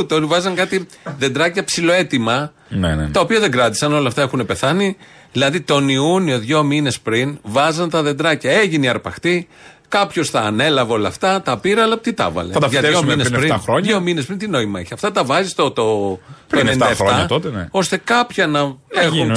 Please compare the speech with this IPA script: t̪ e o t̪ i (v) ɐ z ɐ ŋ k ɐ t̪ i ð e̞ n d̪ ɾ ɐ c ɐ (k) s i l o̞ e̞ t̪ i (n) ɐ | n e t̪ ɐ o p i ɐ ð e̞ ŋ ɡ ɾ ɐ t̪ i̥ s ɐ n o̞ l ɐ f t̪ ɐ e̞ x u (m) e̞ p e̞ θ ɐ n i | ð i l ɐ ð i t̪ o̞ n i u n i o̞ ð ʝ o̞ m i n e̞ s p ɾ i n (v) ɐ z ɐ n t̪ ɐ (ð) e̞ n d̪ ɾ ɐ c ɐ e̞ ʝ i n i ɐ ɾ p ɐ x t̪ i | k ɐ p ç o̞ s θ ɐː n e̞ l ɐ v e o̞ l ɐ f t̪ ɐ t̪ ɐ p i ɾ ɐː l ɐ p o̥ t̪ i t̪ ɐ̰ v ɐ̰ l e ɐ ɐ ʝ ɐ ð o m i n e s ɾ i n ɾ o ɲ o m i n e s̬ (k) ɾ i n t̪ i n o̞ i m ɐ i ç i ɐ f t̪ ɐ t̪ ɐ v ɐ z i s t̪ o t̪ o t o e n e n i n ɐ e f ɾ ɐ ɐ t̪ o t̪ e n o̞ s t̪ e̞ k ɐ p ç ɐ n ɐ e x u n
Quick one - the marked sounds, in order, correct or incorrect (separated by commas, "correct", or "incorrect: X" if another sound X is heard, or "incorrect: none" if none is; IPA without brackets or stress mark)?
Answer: correct, incorrect: p, incorrect: m, incorrect: n, correct, correct, incorrect: p